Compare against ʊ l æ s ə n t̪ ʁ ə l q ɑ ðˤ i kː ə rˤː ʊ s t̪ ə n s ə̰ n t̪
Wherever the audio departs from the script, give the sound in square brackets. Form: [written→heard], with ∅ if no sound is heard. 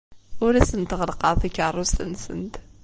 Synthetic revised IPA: ʊ [l→ɾ] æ s ə n t̪ ʁ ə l q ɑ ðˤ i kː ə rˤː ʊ s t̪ ə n s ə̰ n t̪